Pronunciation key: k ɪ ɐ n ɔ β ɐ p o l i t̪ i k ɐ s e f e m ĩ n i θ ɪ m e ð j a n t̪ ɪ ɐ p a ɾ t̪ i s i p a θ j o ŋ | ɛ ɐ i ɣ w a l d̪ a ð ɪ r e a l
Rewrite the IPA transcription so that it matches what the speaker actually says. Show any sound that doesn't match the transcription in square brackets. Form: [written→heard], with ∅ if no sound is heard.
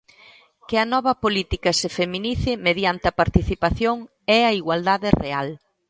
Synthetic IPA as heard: k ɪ ɐ n ɔ β ɐ p o l i t̪ i k ɐ s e f e m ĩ n i θ ɪ m e ð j a n t̪ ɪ ɐ p a ɾ t̪ i [s→θ] i p a θ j o ŋ | ɛ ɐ i ɣ w a l d̪ a ð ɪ r e a l